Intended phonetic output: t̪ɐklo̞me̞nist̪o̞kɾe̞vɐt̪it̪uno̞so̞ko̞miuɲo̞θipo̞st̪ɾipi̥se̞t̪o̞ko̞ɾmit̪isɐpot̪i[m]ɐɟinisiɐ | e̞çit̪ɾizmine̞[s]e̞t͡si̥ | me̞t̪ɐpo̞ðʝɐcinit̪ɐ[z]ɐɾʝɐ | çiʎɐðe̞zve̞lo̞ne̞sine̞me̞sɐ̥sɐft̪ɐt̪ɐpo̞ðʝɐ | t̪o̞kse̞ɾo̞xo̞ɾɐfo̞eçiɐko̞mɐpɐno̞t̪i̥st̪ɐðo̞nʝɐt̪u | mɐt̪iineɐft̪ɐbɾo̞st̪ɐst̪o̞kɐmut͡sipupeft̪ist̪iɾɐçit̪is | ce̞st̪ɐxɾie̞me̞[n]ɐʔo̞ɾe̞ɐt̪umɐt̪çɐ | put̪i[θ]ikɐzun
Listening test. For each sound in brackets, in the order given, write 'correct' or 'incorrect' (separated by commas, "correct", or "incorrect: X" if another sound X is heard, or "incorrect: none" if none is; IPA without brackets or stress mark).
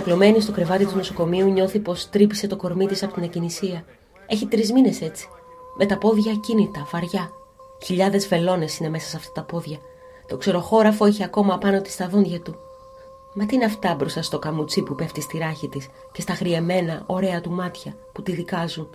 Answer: incorrect: n, correct, incorrect: v, correct, incorrect: ð